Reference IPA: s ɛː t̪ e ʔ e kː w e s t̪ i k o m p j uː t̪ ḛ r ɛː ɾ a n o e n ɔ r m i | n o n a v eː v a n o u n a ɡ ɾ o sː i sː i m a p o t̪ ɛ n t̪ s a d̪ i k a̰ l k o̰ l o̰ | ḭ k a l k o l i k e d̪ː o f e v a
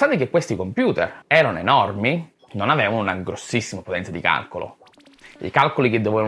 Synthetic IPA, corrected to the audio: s aː t̪ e k e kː w e s t̪ i k o m p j uː t̪ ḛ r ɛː ɾ a n o e n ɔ r m i | n o n a v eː v a n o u n a ɡ ɾ o sː i sː i m a p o t̪ ɛ n t̪ s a d̪ i k a̰ l k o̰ l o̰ | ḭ k a l k o l i k e d̪ː o v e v a